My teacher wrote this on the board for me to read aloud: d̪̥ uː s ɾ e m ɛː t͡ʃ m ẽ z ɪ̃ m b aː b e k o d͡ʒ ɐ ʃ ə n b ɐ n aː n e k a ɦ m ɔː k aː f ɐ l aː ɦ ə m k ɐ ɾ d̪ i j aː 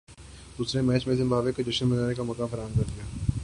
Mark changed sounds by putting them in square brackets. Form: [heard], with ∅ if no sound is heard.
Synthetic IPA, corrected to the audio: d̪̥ uː s ɾ e m ɛː t͡ʃ m ẽ z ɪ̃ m b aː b e k o d͡ʒ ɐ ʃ ə n b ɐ n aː n e k a [∅] m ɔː k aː f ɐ [ɾ] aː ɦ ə m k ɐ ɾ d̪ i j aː